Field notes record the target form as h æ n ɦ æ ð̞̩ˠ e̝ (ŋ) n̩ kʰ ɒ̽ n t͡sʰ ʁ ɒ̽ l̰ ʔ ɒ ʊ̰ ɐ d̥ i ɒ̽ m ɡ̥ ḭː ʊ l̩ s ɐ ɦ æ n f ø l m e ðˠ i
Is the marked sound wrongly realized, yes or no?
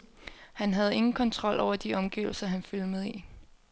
no